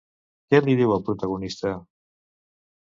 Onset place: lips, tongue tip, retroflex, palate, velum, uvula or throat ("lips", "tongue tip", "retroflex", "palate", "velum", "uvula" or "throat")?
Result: velum